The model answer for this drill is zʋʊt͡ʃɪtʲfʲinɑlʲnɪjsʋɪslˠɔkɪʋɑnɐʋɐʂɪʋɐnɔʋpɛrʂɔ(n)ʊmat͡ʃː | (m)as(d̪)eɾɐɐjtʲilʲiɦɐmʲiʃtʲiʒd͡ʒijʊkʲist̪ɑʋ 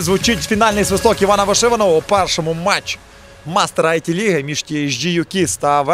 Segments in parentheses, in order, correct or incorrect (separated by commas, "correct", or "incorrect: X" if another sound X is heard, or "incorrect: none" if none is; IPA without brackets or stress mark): incorrect: m, correct, incorrect: t̪